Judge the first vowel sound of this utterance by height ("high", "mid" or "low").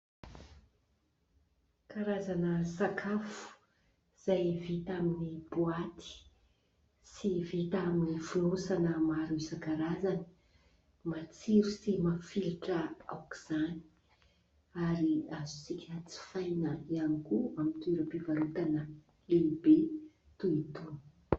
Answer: low